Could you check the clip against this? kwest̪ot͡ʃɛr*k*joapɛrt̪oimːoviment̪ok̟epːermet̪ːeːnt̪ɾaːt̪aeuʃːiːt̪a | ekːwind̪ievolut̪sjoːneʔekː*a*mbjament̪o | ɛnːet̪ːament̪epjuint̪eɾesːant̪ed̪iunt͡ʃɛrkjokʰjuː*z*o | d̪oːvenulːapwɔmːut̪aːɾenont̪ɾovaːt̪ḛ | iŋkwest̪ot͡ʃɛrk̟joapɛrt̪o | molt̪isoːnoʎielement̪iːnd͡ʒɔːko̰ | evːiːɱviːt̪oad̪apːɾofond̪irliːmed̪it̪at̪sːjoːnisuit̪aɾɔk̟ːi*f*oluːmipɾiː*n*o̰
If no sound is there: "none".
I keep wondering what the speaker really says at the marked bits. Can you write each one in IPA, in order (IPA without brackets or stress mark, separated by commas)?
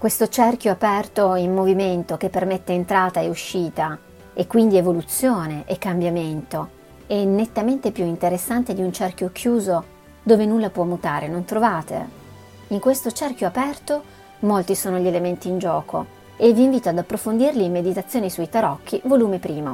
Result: k, a, z, v, m